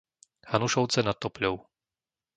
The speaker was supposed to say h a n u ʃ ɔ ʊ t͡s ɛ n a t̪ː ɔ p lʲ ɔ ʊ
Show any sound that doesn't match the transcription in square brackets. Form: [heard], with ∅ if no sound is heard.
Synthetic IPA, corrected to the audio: h a n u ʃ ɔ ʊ t͡s ɛ n a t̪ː ɔ p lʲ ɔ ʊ